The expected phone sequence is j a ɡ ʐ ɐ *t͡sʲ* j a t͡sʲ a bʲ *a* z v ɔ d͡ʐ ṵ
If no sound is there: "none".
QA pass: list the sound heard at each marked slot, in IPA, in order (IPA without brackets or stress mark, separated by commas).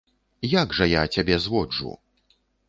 none, ɛ